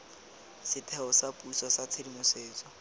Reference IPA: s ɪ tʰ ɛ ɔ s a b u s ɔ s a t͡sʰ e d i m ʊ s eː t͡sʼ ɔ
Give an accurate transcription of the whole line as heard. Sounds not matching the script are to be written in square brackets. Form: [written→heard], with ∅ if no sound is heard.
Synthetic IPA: s ɪ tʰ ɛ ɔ s a [b→p] u s ɔ s a t͡sʰ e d i m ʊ s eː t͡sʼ ɔ